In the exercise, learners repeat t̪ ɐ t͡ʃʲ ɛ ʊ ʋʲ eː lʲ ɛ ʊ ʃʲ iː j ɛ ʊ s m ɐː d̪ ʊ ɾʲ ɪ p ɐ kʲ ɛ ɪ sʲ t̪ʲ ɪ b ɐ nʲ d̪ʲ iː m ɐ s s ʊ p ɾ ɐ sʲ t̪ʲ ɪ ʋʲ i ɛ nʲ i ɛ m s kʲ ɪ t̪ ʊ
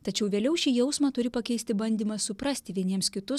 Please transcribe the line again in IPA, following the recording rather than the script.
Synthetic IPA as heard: t̪ ɐ t͡ʃʲ ɛ ʊ ʋʲ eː lʲ ɛ ʊ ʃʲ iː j ɛ ʊ s m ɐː t̪ ʊ ɾʲ ɪ p ɐ kʲ ɛ ɪ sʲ t̪ʲ ɪ b ɐ nʲ d̪ʲ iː m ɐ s s ʊ p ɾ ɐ sʲ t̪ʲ ɪ ʋʲ i ɛ nʲ i ɛ m s kʲ ɪ t̪ ʊ